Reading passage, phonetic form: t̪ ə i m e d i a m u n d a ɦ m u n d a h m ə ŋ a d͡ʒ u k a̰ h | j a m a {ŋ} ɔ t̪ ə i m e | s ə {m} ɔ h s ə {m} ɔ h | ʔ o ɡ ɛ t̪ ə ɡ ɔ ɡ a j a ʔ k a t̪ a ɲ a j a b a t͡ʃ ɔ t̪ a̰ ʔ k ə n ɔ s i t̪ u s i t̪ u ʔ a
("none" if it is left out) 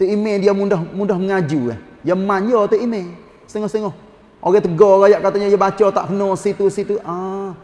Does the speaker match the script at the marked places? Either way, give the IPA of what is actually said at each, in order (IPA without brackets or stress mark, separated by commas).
ɲ, ŋ, ŋ